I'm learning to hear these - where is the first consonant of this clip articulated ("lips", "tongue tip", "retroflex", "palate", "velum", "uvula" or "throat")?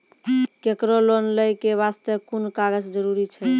velum